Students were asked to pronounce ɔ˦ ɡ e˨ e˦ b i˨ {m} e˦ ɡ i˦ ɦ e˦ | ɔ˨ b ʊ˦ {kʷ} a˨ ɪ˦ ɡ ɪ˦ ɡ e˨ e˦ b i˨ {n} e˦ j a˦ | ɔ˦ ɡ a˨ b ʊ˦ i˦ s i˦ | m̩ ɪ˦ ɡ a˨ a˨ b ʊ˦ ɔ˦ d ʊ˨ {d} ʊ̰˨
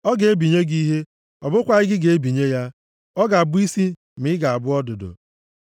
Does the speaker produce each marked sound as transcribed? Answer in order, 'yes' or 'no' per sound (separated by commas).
no, yes, no, yes